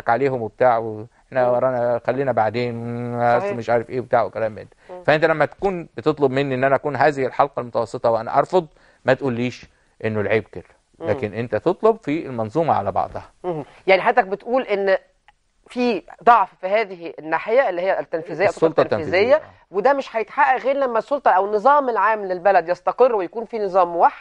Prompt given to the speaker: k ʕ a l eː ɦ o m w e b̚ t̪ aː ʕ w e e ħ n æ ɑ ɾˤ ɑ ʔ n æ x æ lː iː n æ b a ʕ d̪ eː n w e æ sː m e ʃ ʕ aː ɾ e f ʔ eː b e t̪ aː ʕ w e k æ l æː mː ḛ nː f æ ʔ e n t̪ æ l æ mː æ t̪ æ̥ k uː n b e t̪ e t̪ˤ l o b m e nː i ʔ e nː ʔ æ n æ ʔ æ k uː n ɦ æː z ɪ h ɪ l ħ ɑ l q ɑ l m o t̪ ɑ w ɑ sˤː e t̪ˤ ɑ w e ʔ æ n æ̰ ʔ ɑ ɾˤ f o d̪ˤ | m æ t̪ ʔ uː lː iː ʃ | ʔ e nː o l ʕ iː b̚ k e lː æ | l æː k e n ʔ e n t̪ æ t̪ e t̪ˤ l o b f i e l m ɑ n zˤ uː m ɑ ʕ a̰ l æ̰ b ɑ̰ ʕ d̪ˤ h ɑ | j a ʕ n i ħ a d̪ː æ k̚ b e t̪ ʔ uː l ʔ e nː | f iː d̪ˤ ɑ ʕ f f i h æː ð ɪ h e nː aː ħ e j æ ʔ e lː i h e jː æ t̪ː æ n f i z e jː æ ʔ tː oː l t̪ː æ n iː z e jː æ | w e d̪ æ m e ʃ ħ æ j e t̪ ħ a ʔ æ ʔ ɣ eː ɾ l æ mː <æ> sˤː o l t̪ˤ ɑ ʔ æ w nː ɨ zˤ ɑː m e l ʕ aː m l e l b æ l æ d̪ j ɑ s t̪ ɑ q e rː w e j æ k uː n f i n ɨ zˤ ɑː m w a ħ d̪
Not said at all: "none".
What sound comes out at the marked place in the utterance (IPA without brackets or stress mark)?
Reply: æ